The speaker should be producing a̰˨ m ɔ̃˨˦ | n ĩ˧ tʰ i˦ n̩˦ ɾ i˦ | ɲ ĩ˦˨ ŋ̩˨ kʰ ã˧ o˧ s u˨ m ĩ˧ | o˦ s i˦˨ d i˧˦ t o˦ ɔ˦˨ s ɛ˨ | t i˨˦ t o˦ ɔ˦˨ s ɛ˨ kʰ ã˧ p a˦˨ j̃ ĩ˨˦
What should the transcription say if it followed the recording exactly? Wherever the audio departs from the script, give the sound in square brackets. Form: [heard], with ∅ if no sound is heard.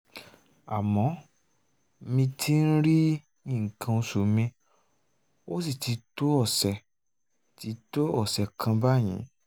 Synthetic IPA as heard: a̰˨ m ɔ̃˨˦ | [m] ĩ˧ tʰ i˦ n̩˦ ɾ i˦ | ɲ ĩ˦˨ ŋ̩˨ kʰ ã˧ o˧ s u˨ m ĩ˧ | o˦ s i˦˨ [t] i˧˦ t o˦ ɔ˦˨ s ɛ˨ | t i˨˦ t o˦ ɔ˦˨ s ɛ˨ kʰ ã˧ [b] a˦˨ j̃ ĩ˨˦